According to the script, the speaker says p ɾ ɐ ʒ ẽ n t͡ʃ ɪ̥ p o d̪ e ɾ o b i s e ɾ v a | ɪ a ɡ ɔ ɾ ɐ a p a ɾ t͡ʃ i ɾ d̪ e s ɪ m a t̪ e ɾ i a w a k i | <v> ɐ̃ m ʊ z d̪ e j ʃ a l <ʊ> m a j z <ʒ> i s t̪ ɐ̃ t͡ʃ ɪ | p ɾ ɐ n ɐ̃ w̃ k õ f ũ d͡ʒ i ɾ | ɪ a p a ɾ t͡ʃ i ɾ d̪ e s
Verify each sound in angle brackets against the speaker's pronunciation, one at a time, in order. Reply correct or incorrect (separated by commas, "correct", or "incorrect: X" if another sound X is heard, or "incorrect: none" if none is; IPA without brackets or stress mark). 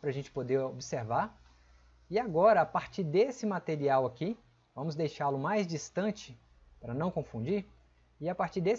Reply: correct, correct, incorrect: d͡ʒ